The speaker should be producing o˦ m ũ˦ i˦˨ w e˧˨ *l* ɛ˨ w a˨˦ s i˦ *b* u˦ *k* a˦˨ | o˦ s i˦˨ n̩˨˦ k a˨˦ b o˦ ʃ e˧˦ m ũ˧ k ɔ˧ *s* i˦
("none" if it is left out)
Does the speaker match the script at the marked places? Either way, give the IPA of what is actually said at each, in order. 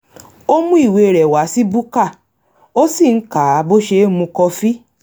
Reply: ɾ, b, k, f

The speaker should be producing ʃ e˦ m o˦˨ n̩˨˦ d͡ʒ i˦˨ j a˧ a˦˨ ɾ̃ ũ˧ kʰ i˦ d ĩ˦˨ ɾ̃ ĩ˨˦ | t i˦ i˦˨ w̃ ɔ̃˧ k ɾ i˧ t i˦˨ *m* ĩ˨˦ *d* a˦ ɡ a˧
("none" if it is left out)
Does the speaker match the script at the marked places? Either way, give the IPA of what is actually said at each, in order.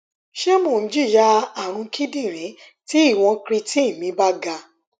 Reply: m, b

